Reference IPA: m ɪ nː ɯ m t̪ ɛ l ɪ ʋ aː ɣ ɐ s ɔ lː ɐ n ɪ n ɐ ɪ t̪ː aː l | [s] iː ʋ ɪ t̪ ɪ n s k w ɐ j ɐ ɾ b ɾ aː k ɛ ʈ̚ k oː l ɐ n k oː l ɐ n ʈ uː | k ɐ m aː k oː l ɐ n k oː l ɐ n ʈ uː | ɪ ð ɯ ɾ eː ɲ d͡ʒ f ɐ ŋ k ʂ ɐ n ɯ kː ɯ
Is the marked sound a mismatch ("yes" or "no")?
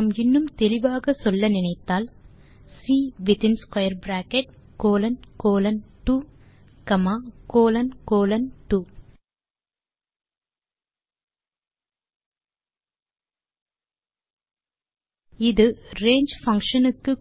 no